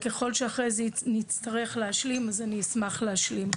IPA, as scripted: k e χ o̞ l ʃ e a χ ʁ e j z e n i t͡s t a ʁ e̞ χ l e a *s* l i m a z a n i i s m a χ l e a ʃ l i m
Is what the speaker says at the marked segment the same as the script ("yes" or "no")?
no